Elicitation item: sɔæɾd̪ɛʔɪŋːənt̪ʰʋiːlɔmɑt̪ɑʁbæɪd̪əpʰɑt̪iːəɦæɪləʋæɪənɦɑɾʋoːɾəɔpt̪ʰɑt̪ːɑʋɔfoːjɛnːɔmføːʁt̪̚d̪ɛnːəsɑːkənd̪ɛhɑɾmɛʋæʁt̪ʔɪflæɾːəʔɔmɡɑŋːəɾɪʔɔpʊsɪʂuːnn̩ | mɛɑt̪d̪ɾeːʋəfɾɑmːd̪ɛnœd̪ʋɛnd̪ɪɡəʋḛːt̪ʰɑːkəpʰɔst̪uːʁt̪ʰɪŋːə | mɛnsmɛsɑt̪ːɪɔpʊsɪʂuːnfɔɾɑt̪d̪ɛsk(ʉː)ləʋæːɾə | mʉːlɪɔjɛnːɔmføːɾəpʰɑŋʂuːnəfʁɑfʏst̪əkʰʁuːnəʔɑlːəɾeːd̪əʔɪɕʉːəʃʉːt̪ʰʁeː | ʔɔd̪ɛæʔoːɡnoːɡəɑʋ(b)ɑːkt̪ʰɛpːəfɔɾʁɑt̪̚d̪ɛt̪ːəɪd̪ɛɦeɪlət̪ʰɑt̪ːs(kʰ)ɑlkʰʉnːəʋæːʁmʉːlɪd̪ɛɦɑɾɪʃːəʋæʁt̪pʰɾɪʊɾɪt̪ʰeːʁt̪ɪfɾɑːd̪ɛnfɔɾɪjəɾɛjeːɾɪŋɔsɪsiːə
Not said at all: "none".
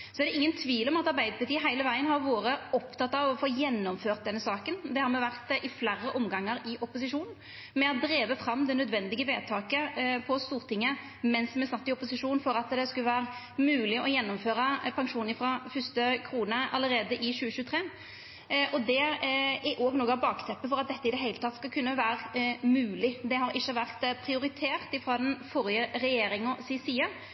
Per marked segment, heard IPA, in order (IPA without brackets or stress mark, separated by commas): ʉ, b, k